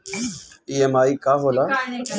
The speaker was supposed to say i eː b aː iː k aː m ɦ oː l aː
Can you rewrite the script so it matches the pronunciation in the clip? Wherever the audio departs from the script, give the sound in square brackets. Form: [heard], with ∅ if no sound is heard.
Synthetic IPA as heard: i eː [m] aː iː k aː [∅] ɦ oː l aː